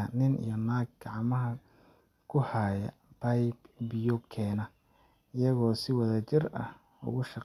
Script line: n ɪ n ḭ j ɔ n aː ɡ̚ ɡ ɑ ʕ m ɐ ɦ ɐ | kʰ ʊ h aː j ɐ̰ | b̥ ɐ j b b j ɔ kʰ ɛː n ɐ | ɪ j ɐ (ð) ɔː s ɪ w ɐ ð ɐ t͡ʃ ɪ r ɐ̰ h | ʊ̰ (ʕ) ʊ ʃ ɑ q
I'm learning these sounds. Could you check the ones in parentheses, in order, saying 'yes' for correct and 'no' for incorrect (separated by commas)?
no, no